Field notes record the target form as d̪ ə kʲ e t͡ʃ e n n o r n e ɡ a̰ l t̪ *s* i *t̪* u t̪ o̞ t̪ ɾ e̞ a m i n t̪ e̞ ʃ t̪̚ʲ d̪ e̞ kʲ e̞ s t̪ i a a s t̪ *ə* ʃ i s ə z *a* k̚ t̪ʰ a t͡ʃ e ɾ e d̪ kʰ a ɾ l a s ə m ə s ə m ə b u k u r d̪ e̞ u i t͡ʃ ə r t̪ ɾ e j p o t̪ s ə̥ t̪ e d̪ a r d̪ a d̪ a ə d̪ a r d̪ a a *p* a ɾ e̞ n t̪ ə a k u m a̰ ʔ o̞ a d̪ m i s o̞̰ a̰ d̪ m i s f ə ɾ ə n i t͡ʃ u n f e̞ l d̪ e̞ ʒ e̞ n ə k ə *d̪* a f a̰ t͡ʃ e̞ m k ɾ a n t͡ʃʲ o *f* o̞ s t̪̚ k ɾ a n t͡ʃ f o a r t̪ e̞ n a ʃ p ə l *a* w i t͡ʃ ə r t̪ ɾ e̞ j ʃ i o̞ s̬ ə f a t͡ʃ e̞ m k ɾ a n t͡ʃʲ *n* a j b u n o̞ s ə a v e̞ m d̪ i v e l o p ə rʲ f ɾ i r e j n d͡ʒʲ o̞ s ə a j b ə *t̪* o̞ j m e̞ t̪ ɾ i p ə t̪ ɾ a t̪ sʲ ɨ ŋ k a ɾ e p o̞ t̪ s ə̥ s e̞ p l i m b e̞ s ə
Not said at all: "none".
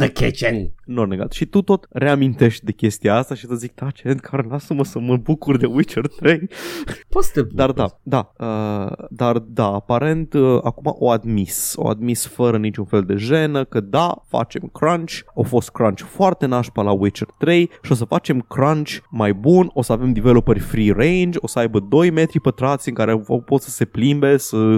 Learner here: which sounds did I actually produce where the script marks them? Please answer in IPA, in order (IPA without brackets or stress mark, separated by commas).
ʃ, t̪, a, i, p, d̪, f, a, m, d̪